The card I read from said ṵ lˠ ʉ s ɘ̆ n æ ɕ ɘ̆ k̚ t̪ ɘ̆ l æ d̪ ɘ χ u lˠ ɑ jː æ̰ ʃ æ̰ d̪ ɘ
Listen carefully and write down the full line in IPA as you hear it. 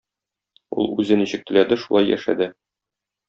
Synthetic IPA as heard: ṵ lˠ ʉ z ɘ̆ n i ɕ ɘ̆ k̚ t̪ ɘ̆ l æ d̪ ɘ ʃ u lˠ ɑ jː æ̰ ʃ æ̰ d̪ ɘ